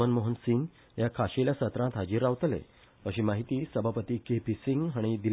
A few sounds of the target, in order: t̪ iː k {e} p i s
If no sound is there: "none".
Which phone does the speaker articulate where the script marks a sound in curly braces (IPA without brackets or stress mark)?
e